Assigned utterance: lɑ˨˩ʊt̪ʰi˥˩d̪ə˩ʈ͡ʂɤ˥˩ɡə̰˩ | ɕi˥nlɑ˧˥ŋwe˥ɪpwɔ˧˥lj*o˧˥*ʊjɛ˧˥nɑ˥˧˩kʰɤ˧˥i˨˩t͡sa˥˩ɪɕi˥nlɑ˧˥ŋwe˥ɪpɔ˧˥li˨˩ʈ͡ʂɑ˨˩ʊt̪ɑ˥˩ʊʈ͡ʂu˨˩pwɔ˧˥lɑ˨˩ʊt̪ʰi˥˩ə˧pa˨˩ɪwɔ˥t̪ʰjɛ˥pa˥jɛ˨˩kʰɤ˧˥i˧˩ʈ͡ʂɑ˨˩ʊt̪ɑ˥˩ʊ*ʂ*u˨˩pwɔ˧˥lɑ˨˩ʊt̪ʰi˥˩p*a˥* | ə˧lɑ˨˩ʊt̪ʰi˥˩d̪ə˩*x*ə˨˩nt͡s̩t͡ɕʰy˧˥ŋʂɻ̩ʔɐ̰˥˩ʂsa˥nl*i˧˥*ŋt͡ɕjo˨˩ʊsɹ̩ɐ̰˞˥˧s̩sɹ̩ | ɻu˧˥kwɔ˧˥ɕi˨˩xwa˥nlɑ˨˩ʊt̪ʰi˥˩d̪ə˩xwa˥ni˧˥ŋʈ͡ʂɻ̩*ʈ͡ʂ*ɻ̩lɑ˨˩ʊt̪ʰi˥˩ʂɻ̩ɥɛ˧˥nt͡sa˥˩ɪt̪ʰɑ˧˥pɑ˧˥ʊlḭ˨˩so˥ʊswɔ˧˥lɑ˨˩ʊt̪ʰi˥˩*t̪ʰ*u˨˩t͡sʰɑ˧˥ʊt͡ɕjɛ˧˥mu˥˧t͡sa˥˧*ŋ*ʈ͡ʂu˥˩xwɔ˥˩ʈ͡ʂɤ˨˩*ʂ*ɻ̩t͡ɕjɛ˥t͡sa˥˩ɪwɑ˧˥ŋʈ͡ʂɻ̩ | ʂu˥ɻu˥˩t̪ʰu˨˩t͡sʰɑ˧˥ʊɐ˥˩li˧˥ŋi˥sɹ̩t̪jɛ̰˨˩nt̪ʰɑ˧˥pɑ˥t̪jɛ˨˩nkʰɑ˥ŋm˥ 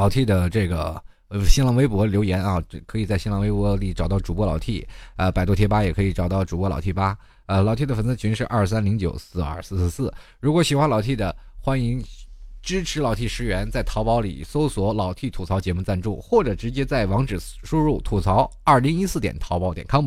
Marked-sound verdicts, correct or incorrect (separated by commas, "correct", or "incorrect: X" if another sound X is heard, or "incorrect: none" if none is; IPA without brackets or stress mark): correct, incorrect: ʈ͡ʂ, correct, incorrect: f, correct, incorrect: ʈ͡ʂʰ, correct, incorrect: n, incorrect: ʈ͡ʂ